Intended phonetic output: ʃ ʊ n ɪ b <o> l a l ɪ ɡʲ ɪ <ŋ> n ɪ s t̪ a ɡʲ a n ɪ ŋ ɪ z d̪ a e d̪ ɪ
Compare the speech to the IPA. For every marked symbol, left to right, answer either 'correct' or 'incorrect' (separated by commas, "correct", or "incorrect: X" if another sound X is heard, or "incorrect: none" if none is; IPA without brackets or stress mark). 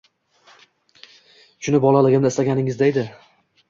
incorrect: ɒ, incorrect: m